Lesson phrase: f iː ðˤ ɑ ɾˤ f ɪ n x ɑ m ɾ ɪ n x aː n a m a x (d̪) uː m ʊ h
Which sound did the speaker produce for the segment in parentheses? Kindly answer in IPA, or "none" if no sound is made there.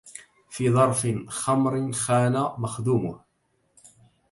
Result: d̪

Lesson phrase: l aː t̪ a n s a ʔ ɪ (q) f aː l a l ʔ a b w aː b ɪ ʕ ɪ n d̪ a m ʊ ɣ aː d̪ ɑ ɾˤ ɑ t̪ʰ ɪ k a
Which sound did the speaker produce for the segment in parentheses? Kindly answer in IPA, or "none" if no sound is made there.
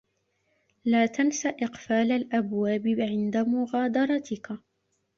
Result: q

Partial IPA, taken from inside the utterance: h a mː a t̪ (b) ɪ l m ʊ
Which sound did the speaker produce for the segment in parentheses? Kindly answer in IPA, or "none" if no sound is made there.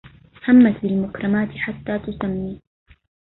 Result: b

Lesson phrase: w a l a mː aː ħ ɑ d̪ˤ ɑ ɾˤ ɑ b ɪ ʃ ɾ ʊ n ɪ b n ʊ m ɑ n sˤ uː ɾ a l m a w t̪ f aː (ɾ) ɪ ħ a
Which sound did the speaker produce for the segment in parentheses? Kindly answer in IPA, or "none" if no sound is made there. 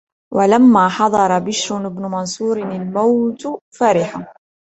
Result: ɾ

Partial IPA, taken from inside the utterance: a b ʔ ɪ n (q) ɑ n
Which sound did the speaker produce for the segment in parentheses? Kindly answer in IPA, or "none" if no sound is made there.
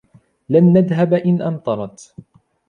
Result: ʔ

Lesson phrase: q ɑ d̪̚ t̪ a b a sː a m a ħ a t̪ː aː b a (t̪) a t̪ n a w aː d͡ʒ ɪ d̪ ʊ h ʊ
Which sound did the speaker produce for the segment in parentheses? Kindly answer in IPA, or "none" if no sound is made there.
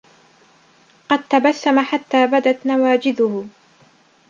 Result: d̪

